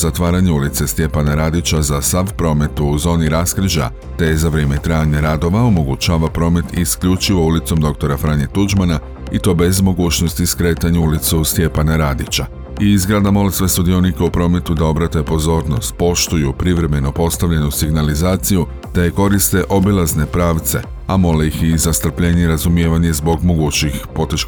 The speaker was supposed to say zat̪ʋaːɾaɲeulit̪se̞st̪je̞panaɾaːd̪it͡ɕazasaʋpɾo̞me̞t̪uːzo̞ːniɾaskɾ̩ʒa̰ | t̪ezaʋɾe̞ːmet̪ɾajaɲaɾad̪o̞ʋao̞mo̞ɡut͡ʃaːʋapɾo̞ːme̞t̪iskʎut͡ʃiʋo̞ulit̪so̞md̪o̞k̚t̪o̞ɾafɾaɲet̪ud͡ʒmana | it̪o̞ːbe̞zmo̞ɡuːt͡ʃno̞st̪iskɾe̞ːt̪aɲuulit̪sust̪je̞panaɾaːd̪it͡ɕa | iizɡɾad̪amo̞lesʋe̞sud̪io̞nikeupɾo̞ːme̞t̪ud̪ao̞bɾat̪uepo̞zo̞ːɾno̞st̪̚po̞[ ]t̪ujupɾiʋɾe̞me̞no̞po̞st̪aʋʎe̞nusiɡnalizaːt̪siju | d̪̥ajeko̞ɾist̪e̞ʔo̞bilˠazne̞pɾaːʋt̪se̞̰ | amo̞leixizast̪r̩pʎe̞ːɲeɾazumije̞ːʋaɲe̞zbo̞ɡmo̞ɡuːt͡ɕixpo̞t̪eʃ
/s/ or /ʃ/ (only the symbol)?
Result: ʃ